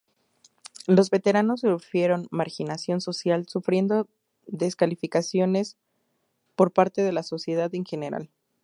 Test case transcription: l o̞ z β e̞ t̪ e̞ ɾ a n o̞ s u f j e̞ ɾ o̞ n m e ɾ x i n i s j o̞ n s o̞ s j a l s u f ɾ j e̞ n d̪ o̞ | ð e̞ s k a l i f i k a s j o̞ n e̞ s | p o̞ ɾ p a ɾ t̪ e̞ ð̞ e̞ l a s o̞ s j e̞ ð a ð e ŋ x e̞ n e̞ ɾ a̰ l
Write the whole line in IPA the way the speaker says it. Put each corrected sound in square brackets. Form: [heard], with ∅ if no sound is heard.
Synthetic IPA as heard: l o̞ z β e̞ t̪ e̞ ɾ a n o̞ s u f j e̞ ɾ o̞ n m [a] ɾ x i n [a] s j o̞ n s o̞ s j a l s u f ɾ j e̞ n d̪ o̞ | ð e̞ s k a l i f i k a s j o̞ n e̞ s | p o̞ ɾ p a ɾ t̪ e̞ ð̞ e̞ l a s o̞ s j e̞ ð a ð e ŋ x e̞ n e̞ ɾ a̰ l